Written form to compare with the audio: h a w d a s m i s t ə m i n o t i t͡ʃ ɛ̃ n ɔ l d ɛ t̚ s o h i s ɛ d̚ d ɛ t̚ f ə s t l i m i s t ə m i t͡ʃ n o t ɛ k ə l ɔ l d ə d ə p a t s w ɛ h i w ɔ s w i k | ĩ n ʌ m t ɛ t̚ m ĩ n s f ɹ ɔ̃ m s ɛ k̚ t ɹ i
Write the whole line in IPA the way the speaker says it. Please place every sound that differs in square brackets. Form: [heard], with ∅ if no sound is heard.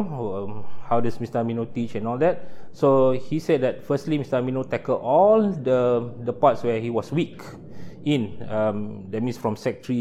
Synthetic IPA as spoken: h a w d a s m i s t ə m i n o t i t͡ʃ ɛ̃ n ɔ l d ɛ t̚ s o h i s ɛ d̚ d ɛ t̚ f ə s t l i m i s t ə m i [∅] n o t ɛ k ə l ɔ l d ə d ə p a t s w ɛ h i w ɔ s w i k | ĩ n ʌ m [d] ɛ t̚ m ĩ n s f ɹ ɔ̃ m s ɛ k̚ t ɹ i